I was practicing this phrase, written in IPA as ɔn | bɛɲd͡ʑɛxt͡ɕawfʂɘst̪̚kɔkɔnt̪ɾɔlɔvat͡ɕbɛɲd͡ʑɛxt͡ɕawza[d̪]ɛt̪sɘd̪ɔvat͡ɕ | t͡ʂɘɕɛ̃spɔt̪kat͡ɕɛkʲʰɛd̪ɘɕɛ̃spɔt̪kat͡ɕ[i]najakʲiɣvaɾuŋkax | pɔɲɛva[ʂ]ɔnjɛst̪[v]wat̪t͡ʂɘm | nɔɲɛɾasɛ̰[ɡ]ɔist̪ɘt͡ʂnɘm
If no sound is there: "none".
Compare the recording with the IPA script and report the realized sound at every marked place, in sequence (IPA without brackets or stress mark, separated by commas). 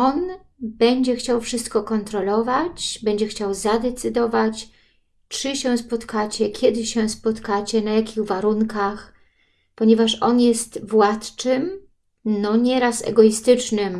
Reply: d̪, ɛ, ʂ, v, ɡ